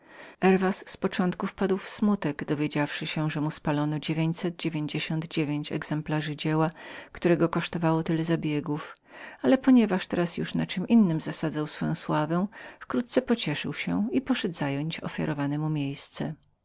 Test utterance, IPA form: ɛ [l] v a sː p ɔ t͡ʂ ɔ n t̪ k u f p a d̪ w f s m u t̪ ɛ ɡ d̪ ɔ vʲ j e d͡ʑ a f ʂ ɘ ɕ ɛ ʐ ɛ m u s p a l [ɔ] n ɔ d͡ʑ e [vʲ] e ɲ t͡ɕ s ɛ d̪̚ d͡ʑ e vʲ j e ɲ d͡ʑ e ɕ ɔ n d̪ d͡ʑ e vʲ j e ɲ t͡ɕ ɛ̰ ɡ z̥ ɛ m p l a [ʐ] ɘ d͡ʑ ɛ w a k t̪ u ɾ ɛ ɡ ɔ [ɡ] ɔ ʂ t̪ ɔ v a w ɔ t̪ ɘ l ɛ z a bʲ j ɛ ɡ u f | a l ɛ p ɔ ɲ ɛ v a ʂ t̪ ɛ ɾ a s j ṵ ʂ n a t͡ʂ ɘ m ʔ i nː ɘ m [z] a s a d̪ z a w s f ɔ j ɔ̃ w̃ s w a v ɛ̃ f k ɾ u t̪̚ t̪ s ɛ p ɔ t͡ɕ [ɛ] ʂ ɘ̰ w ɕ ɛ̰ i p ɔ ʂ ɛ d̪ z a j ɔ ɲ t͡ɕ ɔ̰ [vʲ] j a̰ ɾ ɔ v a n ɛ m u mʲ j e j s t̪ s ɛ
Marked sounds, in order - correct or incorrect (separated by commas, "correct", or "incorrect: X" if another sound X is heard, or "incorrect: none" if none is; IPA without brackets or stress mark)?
incorrect: ɾ, correct, correct, correct, incorrect: k, correct, correct, incorrect: fʲ